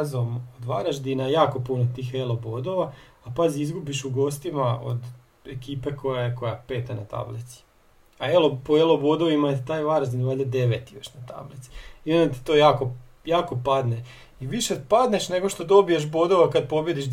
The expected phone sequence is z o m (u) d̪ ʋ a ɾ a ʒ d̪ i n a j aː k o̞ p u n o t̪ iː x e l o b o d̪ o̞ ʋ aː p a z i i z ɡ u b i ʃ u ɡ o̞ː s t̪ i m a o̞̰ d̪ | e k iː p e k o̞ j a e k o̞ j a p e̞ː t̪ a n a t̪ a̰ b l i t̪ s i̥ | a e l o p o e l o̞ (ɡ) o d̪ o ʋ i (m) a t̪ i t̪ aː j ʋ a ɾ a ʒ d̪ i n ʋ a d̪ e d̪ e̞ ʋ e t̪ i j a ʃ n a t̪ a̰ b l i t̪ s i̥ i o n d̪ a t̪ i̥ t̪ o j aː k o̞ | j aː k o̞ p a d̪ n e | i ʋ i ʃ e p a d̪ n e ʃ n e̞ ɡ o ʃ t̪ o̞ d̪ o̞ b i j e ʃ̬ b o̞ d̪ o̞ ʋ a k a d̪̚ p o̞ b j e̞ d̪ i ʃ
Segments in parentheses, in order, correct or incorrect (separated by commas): incorrect, incorrect, correct